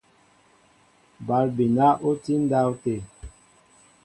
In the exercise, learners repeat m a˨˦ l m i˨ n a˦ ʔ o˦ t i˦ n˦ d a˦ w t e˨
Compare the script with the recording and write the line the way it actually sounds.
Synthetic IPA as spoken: b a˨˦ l b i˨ n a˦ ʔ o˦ t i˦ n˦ d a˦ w t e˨

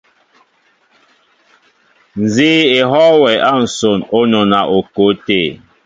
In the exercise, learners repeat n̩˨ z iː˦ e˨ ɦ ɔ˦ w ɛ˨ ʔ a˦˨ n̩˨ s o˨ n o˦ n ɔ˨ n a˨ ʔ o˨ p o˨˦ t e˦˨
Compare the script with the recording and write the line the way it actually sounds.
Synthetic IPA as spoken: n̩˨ z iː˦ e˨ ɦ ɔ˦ w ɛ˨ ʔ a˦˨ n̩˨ s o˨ n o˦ n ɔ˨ n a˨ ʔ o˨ k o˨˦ t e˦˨

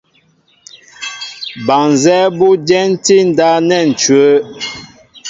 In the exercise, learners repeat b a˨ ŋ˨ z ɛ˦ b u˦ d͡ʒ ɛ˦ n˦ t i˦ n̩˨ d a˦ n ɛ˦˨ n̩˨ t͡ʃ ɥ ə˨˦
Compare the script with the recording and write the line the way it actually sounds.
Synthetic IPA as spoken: b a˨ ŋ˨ z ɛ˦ b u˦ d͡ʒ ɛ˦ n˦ t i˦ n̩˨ d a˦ n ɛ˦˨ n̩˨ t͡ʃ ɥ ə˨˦

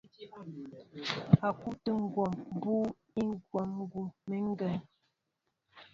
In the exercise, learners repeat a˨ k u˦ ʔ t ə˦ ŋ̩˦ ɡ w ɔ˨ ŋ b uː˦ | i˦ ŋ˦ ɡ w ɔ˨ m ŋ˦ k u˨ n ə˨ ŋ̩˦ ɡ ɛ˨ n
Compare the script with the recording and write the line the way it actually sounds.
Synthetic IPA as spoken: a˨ k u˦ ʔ t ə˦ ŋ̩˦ ɡ w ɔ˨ m b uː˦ | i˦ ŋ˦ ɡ w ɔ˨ m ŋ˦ ɡ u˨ m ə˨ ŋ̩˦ ɡ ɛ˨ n

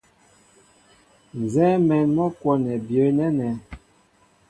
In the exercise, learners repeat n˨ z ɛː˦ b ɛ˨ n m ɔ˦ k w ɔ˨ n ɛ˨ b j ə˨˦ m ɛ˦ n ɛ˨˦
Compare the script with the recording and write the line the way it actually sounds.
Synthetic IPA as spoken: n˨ z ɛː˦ m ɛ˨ n m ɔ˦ k w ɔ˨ n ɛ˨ b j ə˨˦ n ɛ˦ n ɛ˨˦

